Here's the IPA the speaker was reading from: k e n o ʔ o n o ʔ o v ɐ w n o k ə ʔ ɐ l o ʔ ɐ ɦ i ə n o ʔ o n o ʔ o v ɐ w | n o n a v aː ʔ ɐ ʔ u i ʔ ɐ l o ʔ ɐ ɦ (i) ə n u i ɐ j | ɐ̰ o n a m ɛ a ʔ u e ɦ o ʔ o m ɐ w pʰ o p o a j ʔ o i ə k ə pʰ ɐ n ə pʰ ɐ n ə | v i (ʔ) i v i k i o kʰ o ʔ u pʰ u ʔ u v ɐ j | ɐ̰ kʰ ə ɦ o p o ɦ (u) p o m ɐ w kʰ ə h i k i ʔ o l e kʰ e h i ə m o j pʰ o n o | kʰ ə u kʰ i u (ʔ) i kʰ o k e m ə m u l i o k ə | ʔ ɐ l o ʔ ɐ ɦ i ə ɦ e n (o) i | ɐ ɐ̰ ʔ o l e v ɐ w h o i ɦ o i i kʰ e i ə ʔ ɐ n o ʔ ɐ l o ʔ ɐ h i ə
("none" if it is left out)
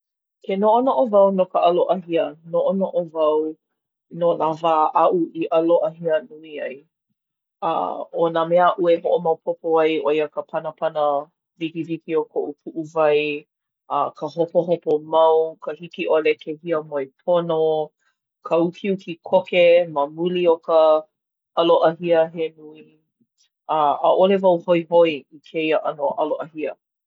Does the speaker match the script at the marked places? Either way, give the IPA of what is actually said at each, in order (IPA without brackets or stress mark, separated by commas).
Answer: i, k, o, k, u